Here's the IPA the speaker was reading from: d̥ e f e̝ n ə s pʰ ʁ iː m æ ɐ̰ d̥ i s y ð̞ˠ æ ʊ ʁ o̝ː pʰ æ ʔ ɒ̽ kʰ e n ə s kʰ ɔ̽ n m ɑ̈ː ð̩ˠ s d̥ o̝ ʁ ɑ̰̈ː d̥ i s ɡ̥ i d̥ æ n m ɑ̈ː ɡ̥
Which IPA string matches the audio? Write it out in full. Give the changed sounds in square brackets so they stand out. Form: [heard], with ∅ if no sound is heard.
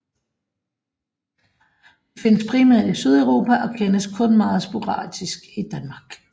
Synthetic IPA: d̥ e f e̝ n ə s pʰ ʁ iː m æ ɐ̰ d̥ i s y ð̞ˠ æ ʊ ʁ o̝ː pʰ æ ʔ ɒ̽ kʰ e n ə s kʰ ɔ̽ n m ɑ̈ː ð̩ˠ s [b̥] o̝ ʁ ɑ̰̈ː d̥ i s ɡ̥ i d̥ æ n m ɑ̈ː ɡ̥